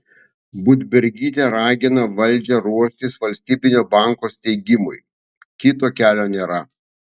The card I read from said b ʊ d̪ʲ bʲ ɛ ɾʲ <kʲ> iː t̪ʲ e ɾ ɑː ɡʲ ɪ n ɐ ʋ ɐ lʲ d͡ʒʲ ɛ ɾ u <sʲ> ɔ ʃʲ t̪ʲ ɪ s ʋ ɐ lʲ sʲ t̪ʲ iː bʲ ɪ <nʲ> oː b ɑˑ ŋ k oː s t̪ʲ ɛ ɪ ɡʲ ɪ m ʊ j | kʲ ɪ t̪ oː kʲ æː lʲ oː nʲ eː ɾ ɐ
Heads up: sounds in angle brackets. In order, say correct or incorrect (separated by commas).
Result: incorrect, incorrect, correct